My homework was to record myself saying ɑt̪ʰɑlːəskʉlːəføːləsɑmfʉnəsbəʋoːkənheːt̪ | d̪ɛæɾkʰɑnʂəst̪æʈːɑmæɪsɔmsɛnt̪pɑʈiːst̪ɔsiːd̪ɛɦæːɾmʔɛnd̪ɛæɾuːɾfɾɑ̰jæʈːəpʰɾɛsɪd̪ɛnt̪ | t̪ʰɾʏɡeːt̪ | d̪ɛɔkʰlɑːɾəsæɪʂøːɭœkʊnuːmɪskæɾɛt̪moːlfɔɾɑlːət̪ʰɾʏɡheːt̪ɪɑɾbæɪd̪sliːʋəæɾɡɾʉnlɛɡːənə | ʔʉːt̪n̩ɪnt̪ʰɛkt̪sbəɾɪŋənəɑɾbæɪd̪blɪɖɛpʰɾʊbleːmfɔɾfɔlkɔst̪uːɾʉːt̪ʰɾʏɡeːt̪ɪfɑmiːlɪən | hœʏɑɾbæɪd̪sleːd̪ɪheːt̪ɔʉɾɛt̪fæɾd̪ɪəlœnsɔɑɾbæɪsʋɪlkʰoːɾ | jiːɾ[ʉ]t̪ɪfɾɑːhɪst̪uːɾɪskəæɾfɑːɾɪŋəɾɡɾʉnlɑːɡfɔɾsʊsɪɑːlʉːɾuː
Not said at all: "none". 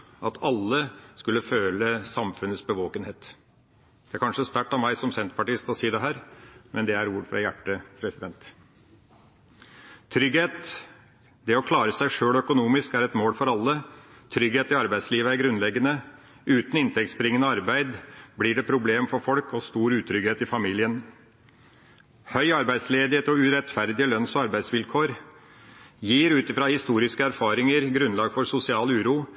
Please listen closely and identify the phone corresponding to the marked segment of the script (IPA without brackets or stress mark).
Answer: ʉː